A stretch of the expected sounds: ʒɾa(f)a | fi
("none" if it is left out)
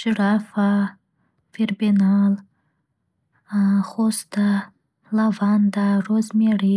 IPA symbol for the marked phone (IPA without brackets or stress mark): f